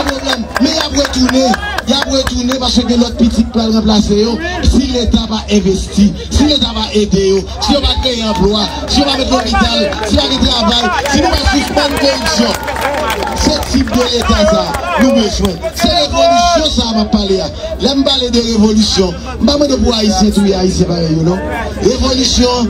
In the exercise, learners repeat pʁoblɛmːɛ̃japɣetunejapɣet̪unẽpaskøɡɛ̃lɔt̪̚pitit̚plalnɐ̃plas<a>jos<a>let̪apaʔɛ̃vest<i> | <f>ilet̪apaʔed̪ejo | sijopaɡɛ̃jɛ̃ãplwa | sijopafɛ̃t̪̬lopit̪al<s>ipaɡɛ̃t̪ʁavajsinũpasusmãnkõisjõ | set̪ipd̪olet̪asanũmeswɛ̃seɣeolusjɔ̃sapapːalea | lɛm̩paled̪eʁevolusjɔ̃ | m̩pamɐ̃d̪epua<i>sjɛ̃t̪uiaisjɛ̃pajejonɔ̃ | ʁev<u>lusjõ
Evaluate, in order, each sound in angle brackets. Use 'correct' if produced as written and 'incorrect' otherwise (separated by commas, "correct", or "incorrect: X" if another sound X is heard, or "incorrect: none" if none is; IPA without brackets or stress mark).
incorrect: e, incorrect: i, correct, incorrect: s, correct, correct, incorrect: o